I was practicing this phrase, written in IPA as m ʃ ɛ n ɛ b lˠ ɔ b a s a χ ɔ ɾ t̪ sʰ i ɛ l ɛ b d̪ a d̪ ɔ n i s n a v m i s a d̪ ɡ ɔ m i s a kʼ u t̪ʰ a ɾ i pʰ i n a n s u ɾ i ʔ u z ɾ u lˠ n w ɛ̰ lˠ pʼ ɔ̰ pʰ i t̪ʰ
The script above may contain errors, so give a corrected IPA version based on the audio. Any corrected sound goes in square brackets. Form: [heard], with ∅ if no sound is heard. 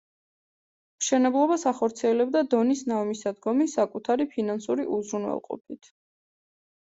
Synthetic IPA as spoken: m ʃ ɛ n ɛ b lˠ ɔ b a s a χ ɔ ɾ t̪ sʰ i ɛ l ɛ b d̪ a d̪ ɔ n i s n a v m i s a d̪ ɡ ɔ m i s a kʼ u t̪ʰ a ɾ i pʰ i n a n s u ɾ i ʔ u z ɾ u [∅] n w ɛ̰ lˠ [qʼ] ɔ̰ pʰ i t̪ʰ